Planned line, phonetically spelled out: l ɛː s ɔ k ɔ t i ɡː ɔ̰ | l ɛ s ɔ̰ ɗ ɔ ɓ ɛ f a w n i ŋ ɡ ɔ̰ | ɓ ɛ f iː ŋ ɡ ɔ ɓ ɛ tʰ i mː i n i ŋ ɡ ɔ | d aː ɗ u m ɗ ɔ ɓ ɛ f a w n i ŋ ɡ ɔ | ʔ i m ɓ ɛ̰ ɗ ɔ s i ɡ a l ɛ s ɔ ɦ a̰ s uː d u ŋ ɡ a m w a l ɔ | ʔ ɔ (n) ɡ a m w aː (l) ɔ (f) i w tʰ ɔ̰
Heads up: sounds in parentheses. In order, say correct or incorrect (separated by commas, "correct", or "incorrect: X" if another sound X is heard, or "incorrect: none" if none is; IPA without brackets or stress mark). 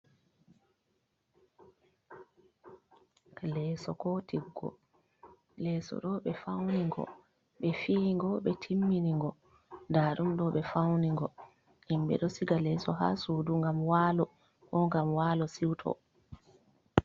incorrect: ŋ, correct, incorrect: s